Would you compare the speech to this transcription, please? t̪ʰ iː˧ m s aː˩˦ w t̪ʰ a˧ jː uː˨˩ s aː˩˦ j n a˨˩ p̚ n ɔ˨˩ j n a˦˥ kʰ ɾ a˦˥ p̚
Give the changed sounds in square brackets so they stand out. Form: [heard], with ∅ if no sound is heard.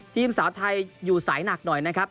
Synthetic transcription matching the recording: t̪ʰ iː˧ m s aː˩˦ w t̪ʰ a˧ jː uː˨˩ s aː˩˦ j n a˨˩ [k̚] n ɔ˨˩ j n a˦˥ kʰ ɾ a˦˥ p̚